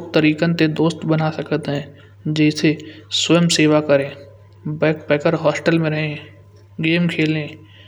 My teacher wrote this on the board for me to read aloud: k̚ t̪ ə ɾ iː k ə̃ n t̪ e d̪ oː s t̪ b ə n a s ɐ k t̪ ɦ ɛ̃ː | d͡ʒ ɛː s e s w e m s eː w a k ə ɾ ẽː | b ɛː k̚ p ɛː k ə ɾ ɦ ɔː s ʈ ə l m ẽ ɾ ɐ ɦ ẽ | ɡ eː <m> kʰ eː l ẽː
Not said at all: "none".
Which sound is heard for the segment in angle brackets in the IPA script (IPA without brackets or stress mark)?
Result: m